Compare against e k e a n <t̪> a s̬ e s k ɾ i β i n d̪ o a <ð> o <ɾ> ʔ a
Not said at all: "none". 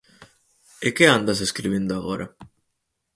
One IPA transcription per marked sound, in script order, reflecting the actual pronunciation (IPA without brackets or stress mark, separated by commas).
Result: d̪, ɣ, ɾ